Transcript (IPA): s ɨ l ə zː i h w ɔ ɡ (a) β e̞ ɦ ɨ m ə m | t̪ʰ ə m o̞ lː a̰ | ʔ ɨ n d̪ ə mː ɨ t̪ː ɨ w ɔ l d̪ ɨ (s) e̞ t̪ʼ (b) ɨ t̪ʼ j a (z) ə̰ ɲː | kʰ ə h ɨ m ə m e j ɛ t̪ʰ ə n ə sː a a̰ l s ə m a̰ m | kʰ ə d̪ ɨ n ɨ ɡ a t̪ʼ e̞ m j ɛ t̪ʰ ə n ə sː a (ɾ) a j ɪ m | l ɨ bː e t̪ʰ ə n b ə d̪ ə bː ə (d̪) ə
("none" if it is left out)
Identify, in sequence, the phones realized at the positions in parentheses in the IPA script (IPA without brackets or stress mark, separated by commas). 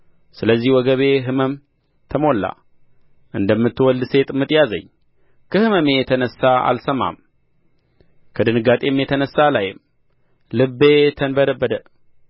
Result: ə, s, m, z, l, d̪